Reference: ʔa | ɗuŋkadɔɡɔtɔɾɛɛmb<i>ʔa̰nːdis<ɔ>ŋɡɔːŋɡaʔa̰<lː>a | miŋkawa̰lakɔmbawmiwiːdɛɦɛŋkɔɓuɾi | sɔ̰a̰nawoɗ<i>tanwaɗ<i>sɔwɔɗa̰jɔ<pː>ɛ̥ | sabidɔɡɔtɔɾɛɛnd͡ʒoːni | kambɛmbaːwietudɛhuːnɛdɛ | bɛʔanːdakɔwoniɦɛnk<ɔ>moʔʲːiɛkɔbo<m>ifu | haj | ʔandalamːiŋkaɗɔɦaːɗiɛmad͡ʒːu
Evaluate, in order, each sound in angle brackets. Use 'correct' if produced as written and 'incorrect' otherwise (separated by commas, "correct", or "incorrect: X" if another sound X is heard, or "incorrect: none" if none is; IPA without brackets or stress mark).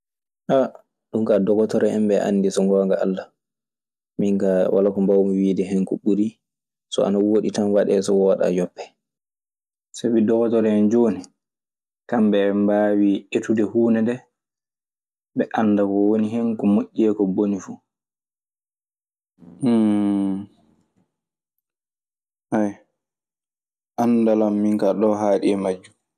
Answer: incorrect: ɛ, correct, correct, correct, incorrect: ɛ, correct, correct, incorrect: n